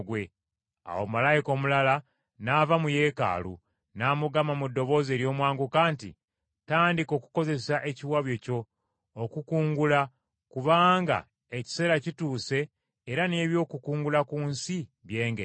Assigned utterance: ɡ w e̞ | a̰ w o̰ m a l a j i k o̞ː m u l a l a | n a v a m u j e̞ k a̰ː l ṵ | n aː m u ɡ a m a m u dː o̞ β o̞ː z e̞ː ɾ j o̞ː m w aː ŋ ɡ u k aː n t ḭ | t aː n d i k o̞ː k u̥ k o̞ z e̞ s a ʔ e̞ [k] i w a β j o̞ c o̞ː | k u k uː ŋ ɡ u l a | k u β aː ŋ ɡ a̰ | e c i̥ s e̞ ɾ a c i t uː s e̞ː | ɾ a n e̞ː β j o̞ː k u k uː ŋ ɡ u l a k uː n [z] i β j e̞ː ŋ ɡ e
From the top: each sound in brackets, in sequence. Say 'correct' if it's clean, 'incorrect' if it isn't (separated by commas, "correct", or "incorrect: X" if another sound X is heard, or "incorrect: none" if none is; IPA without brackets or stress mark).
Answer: incorrect: c, incorrect: s